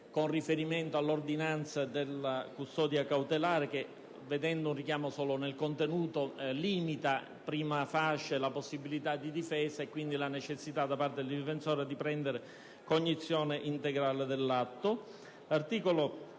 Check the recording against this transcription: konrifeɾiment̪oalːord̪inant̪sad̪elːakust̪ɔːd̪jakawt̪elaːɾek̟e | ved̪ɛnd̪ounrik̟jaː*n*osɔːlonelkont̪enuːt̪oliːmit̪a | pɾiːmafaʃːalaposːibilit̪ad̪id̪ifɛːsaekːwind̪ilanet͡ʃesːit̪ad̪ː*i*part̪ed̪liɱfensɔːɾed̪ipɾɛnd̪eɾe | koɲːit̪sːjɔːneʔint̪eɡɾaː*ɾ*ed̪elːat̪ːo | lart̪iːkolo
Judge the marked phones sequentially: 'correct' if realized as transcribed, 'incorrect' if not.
incorrect, incorrect, incorrect

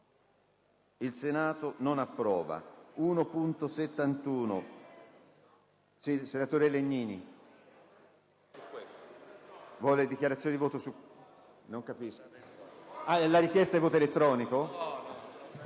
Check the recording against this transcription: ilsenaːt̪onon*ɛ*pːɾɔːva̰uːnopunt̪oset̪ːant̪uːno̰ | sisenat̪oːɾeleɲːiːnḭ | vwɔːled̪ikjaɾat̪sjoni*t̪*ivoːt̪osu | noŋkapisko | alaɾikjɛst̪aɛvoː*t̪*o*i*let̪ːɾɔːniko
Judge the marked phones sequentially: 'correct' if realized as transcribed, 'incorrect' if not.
incorrect, incorrect, correct, incorrect

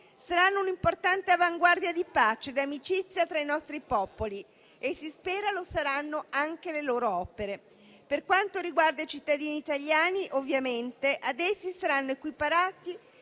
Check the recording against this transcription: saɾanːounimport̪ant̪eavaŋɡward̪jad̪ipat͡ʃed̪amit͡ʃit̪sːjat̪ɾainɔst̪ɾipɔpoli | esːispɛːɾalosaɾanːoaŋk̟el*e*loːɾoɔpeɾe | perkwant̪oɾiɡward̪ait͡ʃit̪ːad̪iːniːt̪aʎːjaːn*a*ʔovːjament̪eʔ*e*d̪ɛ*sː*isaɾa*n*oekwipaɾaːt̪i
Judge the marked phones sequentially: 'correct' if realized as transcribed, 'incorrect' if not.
correct, incorrect, incorrect, correct, incorrect

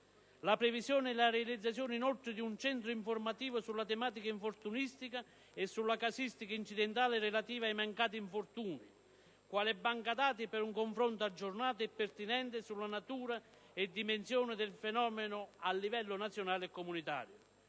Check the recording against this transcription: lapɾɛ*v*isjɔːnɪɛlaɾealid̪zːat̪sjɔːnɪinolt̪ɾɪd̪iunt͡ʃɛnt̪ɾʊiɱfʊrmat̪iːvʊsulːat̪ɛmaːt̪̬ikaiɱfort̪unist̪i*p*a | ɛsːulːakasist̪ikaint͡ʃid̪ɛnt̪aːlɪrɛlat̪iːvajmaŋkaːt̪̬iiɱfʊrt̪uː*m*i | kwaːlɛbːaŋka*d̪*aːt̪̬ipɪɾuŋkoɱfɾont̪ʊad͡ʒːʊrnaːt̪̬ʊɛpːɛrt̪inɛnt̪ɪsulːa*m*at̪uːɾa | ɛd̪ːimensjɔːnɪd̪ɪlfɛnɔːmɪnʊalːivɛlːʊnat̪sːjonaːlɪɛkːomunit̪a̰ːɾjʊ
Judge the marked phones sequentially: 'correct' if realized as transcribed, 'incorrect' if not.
correct, incorrect, incorrect, correct, incorrect

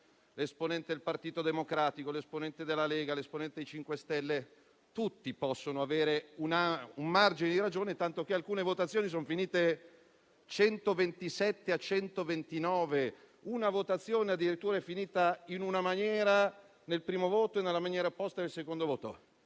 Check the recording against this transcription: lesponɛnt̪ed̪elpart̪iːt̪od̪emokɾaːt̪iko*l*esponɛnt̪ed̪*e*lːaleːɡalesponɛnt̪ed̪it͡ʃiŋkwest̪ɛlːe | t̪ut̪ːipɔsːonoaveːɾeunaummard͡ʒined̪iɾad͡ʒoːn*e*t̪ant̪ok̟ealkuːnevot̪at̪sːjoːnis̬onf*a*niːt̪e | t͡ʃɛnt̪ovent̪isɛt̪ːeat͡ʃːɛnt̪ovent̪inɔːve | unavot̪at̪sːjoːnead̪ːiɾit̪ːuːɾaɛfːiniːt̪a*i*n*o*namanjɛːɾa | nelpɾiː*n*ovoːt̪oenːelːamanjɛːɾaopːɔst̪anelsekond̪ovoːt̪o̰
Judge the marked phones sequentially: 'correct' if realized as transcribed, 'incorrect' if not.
correct, correct, correct, incorrect, correct, incorrect, incorrect

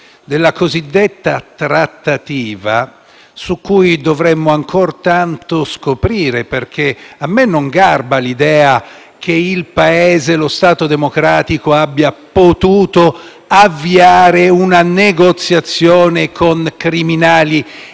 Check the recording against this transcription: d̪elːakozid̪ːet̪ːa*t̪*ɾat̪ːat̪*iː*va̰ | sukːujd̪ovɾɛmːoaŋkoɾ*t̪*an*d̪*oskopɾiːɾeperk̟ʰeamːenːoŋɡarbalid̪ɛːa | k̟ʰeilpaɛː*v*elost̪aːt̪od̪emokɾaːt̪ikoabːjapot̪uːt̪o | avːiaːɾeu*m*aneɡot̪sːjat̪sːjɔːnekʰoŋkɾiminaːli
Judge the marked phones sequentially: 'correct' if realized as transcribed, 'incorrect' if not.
correct, correct, correct, incorrect, incorrect, incorrect

